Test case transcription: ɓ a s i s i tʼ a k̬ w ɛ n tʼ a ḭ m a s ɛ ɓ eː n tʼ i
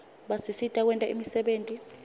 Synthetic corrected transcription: ɓ a s i s i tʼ a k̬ w ɛ n tʼ a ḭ m i s ɛ ɓ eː n tʼ i